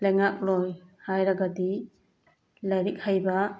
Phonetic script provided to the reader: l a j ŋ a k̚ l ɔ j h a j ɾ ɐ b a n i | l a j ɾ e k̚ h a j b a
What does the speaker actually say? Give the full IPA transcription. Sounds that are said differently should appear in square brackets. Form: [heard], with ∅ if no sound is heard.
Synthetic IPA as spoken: l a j ŋ a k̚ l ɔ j h a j ɾ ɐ [ɡ] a [d] i | l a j ɾ [i] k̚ h a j b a